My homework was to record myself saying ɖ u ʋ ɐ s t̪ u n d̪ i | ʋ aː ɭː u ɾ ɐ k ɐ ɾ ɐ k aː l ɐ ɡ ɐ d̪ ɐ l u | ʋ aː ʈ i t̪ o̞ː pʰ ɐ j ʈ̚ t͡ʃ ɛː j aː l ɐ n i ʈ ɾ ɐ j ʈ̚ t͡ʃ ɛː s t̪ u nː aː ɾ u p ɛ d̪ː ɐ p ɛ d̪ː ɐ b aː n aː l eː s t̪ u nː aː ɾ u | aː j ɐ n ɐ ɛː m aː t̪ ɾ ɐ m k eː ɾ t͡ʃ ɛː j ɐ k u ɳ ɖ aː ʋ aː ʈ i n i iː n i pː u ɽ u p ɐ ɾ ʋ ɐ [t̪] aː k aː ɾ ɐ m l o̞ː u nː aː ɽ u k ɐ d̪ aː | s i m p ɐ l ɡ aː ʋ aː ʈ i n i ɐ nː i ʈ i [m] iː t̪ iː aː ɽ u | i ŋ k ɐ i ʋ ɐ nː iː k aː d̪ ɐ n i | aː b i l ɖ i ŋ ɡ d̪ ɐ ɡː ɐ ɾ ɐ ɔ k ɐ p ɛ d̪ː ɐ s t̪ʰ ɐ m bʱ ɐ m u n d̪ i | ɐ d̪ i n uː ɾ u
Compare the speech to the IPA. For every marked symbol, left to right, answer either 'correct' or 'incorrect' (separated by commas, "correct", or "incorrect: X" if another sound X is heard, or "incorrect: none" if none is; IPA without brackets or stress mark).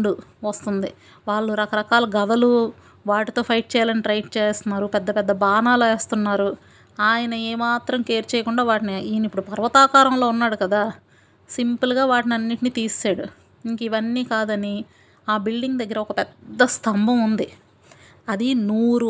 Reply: correct, incorrect: n